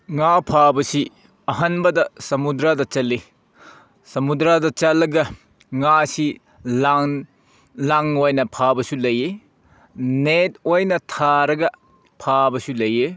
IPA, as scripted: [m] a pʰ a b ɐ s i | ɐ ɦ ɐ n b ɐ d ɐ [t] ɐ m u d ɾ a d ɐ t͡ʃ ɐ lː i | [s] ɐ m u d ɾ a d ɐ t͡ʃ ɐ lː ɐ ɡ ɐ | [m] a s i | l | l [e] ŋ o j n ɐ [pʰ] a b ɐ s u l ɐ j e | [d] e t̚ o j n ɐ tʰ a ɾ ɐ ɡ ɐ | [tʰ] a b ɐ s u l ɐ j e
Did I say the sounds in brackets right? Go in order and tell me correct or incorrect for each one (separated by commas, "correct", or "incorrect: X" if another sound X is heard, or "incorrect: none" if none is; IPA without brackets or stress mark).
incorrect: ŋ, incorrect: s, correct, incorrect: ŋ, incorrect: a, correct, incorrect: n, incorrect: pʰ